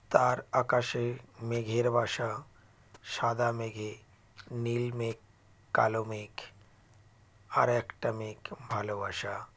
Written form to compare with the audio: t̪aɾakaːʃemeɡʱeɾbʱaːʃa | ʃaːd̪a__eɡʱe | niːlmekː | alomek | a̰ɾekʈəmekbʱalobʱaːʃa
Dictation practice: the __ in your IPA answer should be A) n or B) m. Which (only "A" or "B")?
B